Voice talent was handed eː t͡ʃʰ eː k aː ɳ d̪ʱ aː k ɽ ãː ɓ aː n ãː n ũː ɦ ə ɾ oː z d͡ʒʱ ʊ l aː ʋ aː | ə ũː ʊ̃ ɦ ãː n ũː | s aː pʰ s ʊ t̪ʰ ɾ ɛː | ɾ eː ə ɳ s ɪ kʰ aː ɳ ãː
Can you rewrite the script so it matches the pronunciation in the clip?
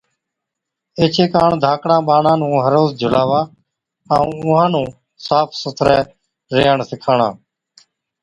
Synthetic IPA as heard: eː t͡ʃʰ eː k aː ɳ d̪ʱ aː k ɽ ãː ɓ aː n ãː n ũː ɦ ə ɾ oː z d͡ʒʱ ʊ l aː ʋ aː | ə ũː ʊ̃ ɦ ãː n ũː | s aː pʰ s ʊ t̪ʰ ɾ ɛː | ɾ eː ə ɳ s ɪ kʰ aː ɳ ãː